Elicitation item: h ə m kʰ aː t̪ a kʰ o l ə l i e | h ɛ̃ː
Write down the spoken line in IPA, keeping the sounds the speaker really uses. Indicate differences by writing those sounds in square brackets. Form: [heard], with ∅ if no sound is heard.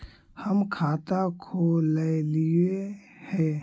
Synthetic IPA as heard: h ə m kʰ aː t̪ a kʰ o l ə l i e | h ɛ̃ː